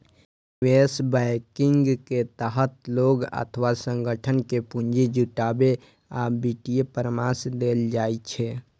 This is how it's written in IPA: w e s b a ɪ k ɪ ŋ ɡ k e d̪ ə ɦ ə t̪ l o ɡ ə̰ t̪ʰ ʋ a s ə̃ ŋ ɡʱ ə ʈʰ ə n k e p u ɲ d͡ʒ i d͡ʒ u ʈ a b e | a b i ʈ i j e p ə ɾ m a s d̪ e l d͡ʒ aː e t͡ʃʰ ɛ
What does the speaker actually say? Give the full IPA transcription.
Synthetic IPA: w e s b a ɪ k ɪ ŋ ɡ k e t̪ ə ɦ ə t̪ l o ɡ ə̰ t̪ʰ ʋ a s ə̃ ŋ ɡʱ ə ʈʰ ə n k e p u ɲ d͡ʒ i d͡ʒ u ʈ a b e | a b i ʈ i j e p ə ɾ m a s d̪ e l d͡ʒ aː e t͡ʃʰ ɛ